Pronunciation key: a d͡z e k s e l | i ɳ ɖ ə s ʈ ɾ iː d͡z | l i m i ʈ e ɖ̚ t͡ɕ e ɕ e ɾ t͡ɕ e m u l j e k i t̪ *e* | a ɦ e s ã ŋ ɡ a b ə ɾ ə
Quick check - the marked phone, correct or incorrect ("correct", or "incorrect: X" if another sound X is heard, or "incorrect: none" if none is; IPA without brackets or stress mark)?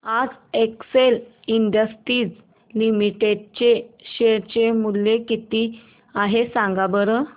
incorrect: i